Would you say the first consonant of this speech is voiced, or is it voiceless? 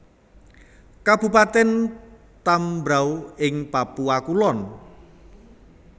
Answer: voiceless